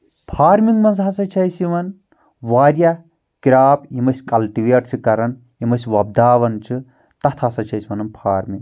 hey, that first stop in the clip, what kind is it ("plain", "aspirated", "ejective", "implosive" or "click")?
aspirated